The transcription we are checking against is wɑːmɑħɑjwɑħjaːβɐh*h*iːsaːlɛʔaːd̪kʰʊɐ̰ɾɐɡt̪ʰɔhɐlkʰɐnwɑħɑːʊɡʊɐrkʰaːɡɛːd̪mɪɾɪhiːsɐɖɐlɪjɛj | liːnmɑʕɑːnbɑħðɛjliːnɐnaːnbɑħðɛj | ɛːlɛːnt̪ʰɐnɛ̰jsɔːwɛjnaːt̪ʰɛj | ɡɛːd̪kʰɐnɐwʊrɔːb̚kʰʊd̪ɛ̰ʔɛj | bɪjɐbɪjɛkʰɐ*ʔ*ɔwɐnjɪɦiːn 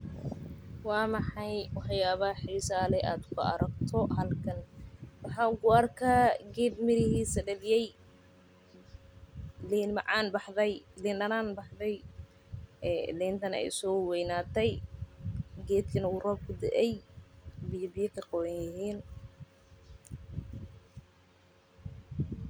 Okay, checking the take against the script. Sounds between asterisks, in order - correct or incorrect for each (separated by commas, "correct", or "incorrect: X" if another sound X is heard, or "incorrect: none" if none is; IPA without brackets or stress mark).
incorrect: ħ, incorrect: q